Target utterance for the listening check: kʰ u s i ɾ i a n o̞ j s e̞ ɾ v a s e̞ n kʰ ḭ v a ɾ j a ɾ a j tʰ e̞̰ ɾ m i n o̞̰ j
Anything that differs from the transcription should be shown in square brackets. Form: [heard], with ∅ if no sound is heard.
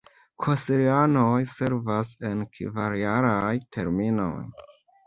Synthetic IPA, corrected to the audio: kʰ [o] s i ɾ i a n o̞ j s e̞ ɾ v a s e̞ n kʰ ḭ v a ɾ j a ɾ a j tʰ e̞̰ ɾ m i n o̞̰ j